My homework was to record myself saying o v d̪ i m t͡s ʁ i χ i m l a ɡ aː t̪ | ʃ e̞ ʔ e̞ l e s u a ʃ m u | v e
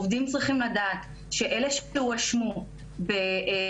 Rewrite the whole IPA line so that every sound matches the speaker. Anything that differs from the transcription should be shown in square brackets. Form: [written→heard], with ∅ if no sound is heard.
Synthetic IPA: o v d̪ i m t͡s ʁ i χ i m l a [ɡ→d] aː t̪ | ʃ e̞ ʔ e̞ l e [s→ʃ] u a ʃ m u | [v→b] e

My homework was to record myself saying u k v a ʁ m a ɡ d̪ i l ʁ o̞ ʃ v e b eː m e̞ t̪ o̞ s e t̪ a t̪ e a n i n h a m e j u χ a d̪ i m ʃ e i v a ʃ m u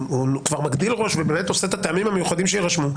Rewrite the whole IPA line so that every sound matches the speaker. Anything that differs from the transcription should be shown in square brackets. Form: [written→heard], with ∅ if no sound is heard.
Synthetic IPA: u k v a ʁ m a ɡ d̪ i l ʁ o̞ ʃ v e b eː m e̞ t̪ o̞ s e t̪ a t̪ e a [n→m] i [n→m] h a m e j u χ a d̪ i m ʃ e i [v→ʁ] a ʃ m u

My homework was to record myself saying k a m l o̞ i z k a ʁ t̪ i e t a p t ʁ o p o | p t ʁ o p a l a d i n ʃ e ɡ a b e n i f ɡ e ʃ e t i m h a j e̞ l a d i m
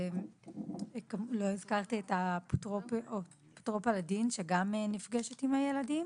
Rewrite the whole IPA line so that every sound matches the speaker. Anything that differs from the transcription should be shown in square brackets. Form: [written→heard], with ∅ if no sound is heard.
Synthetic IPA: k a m l o̞ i z k a ʁ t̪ i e t a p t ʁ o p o | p t ʁ o p a l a d i n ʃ e ɡ a [b→m] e n i f ɡ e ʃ e t i m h a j e̞ l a d i m

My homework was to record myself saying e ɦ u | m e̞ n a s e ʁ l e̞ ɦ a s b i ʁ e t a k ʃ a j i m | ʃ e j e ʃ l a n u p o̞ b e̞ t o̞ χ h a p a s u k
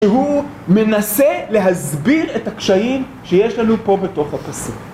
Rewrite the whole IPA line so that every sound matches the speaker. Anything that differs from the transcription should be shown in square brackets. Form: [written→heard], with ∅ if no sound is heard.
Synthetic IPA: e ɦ u | m e̞ n a s e [ʁ→∅] l e̞ ɦ a [s→z] b i ʁ e t a k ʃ a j i m | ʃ e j e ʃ l a n u p o̞ b e̞ t o̞ χ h a p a s u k

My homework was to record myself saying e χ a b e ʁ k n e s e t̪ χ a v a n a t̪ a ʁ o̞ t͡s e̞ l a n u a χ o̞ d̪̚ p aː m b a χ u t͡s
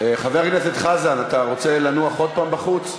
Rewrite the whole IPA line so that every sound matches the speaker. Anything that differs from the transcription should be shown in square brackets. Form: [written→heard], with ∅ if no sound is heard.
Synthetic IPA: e χ a [b→v] e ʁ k n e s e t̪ χ a [v→z] a n a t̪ a ʁ o̞ t͡s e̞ l a n u a χ o̞ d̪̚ p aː m b a χ u t͡s

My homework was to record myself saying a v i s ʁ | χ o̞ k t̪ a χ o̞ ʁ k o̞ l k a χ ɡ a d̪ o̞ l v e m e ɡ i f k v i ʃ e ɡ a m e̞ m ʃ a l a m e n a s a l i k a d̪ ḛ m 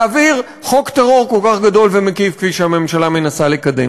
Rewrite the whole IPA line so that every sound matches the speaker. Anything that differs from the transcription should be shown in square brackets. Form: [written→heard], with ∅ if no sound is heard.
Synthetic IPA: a v i [s→∅] ʁ | χ o̞ k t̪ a [χ→ʁ] o̞ ʁ k o̞ l k a χ ɡ a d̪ o̞ l v e m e [ɡ→k] i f k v i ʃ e [ɡ→∅] a m e̞ m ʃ a l a m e n a s a l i k a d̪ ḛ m

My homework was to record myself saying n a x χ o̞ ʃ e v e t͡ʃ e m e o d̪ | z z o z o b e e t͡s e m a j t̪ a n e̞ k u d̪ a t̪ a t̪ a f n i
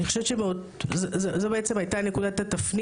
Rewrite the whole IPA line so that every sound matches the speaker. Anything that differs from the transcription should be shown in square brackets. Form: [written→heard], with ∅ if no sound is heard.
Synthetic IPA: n [a→i] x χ o̞ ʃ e v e t͡ʃ e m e o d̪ | z z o z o b e e t͡s e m a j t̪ a n e̞ k u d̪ a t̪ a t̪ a f n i

